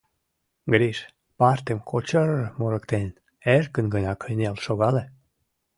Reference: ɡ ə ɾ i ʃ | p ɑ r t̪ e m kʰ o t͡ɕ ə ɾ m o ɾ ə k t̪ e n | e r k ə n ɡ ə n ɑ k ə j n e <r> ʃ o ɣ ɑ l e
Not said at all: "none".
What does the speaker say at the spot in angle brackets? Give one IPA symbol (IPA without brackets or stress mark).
l